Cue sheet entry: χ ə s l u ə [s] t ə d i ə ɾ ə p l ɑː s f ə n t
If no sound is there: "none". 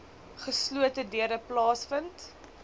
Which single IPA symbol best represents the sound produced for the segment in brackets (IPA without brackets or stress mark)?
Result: none